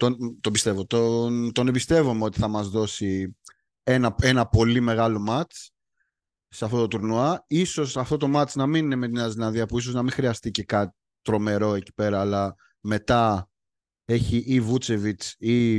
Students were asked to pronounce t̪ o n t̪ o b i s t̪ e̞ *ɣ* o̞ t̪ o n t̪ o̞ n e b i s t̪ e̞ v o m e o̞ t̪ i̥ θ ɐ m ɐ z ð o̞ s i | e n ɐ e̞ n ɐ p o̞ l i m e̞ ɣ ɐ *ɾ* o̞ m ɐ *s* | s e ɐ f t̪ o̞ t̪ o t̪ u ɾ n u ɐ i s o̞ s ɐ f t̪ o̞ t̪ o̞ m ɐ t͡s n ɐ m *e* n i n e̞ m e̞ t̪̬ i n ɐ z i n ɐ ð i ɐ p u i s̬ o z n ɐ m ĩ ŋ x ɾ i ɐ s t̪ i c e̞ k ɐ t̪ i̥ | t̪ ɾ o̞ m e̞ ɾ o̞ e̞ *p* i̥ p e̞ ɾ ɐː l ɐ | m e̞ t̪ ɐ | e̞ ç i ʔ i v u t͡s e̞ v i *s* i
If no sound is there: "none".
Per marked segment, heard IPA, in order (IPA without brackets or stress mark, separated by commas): v, l, t͡s, i, c, t͡s